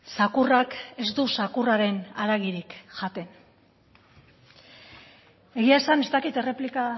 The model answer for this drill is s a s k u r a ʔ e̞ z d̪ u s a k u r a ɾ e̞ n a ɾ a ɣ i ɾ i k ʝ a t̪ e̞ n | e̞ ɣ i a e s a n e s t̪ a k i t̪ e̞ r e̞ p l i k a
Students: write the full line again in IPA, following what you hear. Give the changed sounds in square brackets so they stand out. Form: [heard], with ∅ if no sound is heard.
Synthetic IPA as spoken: s a [∅] k u r a [k] e̞ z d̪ u s a k u r a ɾ e̞ n a ɾ a ɣ i ɾ i k ʝ a t̪ e̞ n | e̞ ɣ i a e s a n e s t̪ a k i t̪ e̞ r e̞ p l i k a